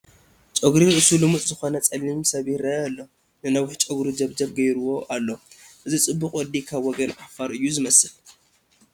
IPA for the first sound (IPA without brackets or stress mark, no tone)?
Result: t͡ʃʼ